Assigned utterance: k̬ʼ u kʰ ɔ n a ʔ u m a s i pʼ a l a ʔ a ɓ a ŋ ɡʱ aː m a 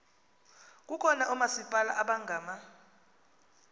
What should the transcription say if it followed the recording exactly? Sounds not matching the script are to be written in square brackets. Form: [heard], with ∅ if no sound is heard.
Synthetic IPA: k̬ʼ u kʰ ɔ n a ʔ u m a s i pʼ a l a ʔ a ɓ a ŋ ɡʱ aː m a